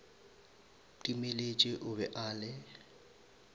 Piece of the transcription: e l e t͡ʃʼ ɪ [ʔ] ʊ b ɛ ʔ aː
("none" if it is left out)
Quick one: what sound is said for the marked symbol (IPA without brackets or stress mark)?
ʔ